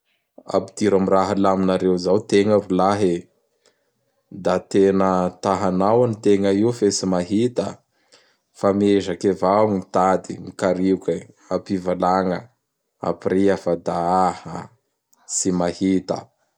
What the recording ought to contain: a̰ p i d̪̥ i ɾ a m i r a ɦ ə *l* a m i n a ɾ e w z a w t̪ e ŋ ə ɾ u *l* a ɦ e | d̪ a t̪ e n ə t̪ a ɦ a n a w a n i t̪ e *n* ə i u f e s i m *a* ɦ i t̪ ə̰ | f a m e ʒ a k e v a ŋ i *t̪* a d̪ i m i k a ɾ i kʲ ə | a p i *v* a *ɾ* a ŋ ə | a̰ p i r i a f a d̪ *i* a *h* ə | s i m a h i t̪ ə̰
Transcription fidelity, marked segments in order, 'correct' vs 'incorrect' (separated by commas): correct, correct, incorrect, correct, correct, correct, incorrect, incorrect, correct